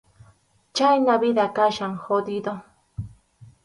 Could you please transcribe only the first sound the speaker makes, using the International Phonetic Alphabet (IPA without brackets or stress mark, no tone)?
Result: t͡ʃ